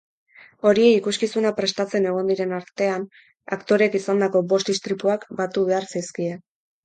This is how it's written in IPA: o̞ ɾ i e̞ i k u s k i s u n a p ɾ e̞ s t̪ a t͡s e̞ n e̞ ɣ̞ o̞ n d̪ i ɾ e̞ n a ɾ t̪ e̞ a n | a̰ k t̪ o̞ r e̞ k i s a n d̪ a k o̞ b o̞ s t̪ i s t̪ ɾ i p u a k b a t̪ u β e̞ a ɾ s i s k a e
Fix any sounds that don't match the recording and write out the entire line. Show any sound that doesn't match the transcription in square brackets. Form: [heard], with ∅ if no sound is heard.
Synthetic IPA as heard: o̞ ɾ i e̞ i k u s k i s u n a p ɾ e̞ s t̪ a t͡s e̞ n e̞ ɣ̞ o̞ n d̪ i ɾ e̞ n a ɾ t̪ e̞ a n | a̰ k t̪ o̞ [ɾ] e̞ k i s a n d̪ a k o̞ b o̞ s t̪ i s t̪ ɾ i p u a k b a t̪ u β e̞ a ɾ s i s k [i] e